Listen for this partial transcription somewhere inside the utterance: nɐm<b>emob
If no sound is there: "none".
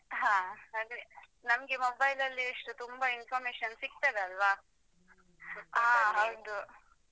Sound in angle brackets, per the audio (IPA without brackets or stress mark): ɡ